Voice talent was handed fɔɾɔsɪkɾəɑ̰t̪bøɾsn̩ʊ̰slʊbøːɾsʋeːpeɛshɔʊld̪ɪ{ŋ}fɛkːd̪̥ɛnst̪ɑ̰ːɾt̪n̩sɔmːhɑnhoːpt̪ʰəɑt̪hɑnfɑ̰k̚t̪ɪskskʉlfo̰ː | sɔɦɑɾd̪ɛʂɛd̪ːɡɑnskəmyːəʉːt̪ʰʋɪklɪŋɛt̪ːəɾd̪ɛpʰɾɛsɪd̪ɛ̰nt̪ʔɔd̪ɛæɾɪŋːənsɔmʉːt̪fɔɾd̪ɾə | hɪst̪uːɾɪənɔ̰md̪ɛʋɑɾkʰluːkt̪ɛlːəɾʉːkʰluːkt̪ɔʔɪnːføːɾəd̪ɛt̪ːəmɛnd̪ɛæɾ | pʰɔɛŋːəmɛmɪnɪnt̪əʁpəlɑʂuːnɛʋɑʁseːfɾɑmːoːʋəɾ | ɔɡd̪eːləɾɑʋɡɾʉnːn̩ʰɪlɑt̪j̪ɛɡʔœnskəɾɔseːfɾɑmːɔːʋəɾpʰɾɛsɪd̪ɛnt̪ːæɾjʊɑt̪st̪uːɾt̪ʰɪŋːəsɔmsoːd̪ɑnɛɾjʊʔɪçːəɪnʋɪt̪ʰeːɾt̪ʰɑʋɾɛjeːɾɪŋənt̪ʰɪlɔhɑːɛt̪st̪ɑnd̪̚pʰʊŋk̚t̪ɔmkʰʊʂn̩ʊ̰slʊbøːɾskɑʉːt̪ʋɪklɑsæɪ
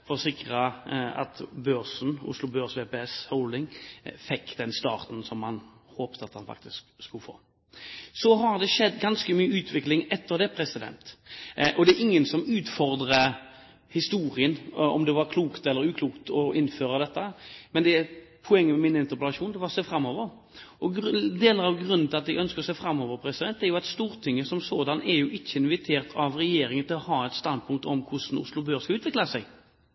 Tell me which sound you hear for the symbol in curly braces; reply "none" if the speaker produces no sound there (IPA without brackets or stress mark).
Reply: ŋ